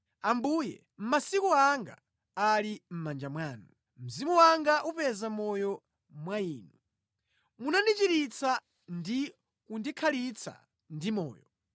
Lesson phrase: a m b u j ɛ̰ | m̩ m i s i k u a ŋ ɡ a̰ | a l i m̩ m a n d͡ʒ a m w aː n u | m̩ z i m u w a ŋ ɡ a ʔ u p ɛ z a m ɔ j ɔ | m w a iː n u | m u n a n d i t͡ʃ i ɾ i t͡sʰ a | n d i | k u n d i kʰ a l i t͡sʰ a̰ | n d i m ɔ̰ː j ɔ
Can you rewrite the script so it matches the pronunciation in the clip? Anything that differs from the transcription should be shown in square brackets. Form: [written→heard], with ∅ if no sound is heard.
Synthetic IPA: a m b u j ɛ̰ | m̩ m [i→a] s i k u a ŋ ɡ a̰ | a l i m̩ m a n d͡ʒ a m w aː n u | m̩ z i m u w a ŋ ɡ a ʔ u p ɛ z a m ɔ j ɔ | m w a iː n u | m u n a n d i t͡ʃ i ɾ i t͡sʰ a | n d i | k u n d i kʰ a l i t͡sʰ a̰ | n d i m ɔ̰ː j ɔ